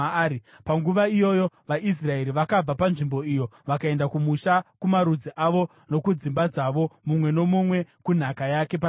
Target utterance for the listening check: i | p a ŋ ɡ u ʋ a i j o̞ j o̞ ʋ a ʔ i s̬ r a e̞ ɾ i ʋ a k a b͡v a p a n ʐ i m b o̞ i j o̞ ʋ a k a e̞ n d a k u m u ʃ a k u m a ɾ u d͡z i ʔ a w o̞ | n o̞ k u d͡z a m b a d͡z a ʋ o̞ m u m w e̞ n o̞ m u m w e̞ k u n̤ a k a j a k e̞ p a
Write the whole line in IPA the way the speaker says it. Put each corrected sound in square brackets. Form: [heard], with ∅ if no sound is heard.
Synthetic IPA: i | p a ŋ ɡ u ʋ a i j o̞ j o̞ ʋ a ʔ i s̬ r a e̞ ɾ i ʋ a k a b͡v a p a n ʐ i m b o̞ i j o̞ ʋ a k a e̞ n d a k u m u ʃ a k u m a ɾ u d͡z i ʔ a [ʋ] o̞ | n o̞ k u d͡z [i] m b a d͡z a ʋ o̞ m u m w e̞ n o̞ m u m w e̞ k u n̤ a k a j a k e̞ p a

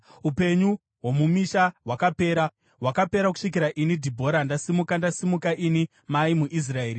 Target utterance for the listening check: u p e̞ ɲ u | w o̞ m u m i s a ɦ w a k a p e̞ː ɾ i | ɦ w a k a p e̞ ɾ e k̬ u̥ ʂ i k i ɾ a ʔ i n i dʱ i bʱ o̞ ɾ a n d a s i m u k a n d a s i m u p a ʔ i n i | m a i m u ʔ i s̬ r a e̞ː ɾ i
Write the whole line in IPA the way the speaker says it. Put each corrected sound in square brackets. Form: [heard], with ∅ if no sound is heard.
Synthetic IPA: u p e̞ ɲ u | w o̞ m u m i [ʃ] a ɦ w a k a p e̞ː ɾ [a] | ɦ w a k a p e̞ ɾ [a] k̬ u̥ ʂ i k i ɾ a ʔ i n i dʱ i bʱ o̞ ɾ a n d a s i m u k a n d a s i m u [k] a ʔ i n i | m a i m u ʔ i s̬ r a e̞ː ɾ i

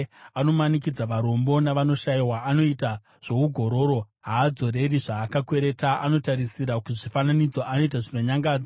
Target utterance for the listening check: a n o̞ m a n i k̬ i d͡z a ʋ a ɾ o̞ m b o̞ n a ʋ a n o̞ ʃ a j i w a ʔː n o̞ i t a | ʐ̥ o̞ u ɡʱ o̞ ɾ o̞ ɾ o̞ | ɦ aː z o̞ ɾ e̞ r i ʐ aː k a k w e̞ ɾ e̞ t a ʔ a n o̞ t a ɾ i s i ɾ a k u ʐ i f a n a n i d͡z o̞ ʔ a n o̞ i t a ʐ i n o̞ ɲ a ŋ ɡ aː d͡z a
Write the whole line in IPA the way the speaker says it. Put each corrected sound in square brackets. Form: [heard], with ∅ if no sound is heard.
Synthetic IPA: a n o̞ m a n i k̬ i d͡z a ʋ a ɾ o̞ m b o̞ n a ʋ a n o̞ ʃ a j i w a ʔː n o̞ i t a | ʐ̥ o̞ u ɡʱ o̞ ɾ o̞ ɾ o̞ | ɦ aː [d͡z] o̞ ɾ e̞ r i ʐ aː k a k w e̞ ɾ e̞ t a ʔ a n o̞ t a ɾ i s i ɾ a k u ʐ i f a n a n i d͡z o̞ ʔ a n o̞ i t a ʐ i n o̞ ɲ a ŋ ɡ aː d͡z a

